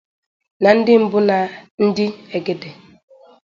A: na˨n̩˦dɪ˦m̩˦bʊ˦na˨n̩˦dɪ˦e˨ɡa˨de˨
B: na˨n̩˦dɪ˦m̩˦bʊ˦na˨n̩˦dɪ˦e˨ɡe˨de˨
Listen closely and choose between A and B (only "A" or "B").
B